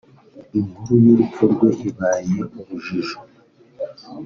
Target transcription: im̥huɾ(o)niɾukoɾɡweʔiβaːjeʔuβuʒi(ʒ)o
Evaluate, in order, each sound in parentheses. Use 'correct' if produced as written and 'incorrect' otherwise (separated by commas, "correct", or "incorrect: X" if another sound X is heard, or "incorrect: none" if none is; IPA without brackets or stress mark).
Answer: incorrect: u, correct